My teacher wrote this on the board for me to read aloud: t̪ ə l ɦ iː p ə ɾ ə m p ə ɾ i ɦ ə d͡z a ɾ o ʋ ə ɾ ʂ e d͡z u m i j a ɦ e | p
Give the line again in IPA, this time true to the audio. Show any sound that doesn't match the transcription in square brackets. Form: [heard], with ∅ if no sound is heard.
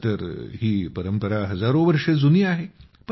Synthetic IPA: t̪ ə [ɾ] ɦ iː p ə ɾ ə m p ə ɾ [a] ɦ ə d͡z a ɾ o ʋ ə ɾ ʂ e d͡z u [n] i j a ɦ e | p